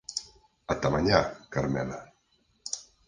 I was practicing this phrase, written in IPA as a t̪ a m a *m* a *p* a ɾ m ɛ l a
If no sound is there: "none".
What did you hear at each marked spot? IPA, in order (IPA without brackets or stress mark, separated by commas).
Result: ɲ, k